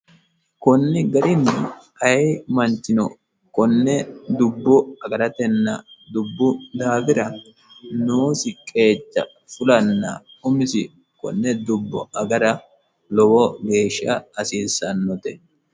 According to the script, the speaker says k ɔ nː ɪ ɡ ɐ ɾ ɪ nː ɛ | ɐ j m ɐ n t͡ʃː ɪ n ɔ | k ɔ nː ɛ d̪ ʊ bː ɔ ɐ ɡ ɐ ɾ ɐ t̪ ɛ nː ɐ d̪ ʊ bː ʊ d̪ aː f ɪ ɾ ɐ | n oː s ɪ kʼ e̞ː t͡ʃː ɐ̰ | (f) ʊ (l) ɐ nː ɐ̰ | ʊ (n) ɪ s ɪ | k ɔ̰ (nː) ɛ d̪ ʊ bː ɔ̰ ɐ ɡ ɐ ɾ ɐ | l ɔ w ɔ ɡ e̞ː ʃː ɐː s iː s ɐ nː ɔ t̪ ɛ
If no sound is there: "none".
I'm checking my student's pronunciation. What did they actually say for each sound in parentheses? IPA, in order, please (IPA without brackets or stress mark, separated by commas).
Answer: f, l, m, nː